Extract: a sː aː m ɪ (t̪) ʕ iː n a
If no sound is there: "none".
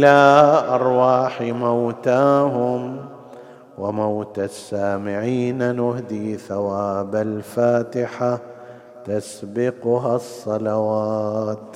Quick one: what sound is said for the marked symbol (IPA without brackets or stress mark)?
none